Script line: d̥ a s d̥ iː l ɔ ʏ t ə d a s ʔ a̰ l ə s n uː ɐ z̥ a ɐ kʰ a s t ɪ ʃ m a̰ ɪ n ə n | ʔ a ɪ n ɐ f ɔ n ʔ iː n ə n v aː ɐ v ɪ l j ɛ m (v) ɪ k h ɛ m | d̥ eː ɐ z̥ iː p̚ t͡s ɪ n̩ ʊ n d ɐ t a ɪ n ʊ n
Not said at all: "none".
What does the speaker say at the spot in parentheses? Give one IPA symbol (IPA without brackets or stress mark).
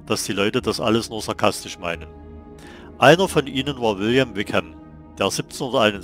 v